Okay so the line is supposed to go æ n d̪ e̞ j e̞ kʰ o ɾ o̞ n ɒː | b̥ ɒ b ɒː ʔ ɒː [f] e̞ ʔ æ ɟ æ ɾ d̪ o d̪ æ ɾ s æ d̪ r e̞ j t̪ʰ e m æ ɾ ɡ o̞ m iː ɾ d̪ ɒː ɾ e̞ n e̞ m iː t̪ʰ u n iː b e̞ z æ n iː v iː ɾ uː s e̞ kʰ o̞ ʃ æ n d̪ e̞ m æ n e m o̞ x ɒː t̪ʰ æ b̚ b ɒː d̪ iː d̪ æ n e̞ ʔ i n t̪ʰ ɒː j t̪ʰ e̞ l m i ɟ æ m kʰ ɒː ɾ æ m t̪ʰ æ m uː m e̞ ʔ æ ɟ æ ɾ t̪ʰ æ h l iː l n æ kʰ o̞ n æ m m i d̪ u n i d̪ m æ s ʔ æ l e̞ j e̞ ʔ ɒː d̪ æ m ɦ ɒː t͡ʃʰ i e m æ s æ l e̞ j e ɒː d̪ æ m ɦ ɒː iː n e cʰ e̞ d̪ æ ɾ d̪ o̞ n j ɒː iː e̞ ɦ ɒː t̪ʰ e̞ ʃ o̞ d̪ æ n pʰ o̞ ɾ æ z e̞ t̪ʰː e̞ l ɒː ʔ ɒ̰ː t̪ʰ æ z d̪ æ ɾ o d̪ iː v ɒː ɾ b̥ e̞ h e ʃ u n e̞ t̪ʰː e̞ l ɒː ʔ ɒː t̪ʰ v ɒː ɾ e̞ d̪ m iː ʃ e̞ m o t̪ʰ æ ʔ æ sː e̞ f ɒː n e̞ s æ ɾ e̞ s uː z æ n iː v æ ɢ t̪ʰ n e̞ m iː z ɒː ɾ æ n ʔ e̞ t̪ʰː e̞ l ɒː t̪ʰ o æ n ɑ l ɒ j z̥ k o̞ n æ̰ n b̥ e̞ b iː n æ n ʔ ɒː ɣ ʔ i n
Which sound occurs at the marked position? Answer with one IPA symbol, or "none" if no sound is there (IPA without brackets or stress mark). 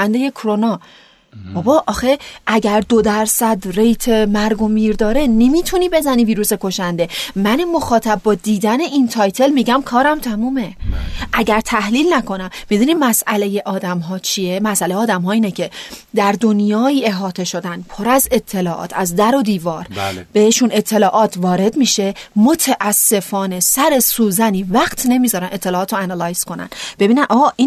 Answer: x